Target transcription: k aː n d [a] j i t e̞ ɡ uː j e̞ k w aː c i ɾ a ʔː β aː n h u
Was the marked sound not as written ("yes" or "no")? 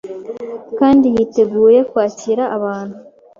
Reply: yes